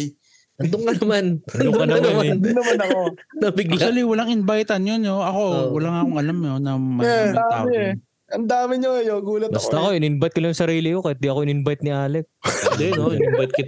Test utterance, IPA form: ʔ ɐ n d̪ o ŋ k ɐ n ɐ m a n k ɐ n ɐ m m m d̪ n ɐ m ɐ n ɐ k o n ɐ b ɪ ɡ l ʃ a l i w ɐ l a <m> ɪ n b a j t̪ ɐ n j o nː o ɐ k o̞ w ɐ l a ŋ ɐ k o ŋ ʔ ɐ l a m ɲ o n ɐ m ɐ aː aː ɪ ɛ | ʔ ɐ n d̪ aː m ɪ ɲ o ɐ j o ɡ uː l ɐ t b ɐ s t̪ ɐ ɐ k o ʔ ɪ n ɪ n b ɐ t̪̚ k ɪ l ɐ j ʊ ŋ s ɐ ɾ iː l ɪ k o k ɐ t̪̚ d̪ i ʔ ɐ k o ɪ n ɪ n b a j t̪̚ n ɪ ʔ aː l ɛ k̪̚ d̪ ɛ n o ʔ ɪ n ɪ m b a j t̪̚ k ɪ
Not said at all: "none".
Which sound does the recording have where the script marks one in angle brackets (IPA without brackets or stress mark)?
ŋ